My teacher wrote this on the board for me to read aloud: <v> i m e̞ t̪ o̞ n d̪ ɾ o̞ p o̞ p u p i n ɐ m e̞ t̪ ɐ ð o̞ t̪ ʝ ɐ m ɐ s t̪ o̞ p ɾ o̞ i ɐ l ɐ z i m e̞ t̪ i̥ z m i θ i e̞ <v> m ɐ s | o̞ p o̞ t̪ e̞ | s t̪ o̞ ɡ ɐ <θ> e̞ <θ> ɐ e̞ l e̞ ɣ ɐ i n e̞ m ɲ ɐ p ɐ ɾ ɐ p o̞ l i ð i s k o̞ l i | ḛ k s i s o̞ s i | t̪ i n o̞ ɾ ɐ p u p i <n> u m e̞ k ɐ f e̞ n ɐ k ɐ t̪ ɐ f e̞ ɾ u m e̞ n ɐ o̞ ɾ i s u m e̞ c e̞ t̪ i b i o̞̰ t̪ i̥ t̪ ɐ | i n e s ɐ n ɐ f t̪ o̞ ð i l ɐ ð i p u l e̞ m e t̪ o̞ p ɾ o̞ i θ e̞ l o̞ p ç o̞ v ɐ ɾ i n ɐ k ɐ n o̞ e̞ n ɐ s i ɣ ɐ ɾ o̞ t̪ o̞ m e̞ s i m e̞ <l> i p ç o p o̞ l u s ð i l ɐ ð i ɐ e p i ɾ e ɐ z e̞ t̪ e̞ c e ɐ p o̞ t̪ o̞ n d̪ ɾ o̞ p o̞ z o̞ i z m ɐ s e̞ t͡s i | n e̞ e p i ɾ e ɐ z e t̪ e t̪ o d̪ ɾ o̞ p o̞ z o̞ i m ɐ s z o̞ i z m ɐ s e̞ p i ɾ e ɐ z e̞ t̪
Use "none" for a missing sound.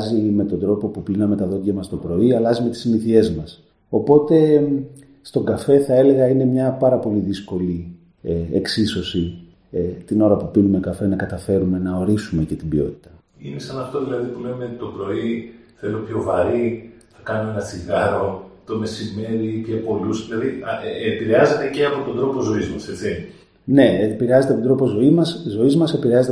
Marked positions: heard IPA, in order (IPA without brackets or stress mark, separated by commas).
z, z, f, θ, n, ɾ